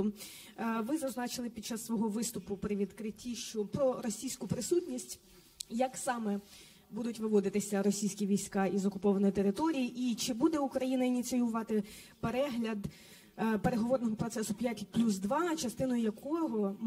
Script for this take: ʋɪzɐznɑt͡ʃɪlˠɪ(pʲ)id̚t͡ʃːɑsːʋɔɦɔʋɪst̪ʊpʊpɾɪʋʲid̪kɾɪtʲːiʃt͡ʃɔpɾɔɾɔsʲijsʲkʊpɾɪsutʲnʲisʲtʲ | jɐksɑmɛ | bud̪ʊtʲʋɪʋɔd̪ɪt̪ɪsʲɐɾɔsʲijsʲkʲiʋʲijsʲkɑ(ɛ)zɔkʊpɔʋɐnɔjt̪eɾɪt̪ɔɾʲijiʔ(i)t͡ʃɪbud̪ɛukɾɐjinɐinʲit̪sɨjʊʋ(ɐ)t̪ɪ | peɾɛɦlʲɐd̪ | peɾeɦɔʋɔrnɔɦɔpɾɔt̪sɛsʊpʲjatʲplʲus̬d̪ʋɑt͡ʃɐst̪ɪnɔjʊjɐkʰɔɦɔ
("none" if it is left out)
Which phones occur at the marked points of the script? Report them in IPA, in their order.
pʲ, i, i, ɑ

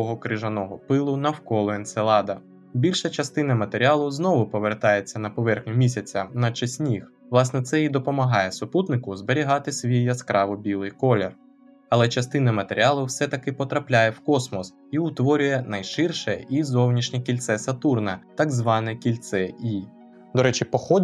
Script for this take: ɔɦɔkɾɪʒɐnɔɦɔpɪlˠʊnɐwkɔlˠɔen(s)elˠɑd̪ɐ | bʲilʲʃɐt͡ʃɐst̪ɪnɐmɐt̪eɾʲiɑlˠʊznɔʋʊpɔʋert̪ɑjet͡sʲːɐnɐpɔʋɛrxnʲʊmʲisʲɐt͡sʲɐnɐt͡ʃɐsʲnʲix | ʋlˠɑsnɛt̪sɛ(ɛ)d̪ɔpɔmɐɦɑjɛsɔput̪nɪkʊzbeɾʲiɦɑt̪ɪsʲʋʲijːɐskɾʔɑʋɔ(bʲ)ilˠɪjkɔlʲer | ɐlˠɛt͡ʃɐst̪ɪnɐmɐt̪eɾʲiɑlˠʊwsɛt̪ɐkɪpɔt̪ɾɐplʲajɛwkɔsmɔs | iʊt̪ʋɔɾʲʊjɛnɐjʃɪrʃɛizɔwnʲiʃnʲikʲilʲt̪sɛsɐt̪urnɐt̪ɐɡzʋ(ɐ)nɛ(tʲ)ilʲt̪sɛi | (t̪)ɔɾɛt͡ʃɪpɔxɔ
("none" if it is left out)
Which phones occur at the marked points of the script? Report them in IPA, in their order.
s, i, bʲ, ɑ, kʲ, d̪

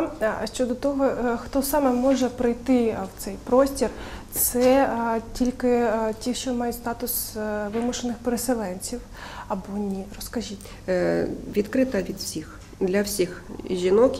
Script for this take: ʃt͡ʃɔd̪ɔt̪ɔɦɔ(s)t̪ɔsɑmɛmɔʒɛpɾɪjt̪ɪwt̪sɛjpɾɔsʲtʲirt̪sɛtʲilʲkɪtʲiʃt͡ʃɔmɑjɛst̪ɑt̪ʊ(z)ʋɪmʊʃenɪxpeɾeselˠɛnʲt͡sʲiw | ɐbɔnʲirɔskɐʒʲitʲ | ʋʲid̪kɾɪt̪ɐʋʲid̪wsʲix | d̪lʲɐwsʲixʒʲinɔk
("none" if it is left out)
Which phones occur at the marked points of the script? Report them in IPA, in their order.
x, s

